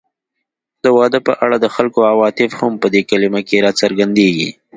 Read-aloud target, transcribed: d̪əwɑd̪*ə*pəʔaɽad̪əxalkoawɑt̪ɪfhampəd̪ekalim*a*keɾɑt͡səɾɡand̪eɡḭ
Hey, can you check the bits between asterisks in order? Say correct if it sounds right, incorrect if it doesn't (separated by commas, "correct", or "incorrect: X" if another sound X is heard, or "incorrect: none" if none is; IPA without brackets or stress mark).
correct, correct